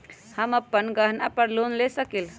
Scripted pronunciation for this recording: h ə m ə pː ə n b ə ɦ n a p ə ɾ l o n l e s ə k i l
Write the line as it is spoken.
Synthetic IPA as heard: h ə m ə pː ə n ɡ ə ɦ n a p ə ɾ l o n l e s ə k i l